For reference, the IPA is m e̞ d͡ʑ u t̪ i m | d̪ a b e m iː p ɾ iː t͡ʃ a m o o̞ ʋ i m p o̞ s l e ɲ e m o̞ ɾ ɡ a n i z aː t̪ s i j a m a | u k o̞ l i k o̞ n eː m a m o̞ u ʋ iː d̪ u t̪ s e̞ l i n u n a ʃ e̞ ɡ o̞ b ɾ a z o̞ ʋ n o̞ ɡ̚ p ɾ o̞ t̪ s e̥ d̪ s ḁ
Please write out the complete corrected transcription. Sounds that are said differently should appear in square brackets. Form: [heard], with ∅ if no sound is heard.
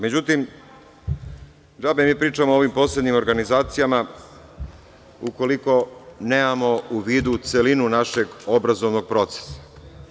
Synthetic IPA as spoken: m e̞ d͡ʑ u t̪ i m | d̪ a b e m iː p ɾ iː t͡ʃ a m o o̞ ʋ i m p o̞ s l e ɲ [i] m o̞ ɾ ɡ a n i z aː t̪ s i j a m a | u k o̞ l i k o̞ n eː m a m o̞ u ʋ iː d̪ u t̪ s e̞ l i n u n a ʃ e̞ ɡ o̞ b ɾ a z o̞ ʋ n o̞ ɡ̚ p ɾ o̞ t̪ s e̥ [∅] s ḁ